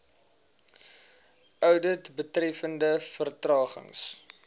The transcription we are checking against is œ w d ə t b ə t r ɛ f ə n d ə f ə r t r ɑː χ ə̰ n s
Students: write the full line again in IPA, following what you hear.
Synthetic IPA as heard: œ w d ə t b ə t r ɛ f ə n d ə f ə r t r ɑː χ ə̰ ŋ s